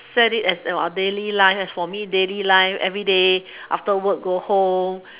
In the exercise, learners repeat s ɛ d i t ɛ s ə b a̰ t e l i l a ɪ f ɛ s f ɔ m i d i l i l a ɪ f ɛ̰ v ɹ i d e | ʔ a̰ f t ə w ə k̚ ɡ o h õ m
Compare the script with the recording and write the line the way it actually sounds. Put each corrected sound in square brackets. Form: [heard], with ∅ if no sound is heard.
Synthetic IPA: s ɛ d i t ɛ s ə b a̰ [d] e l i l a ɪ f ɛ s f ɔ m i d [e] l i l a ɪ f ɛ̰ v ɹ i d e | ʔ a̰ f t ə w ə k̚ ɡ o h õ m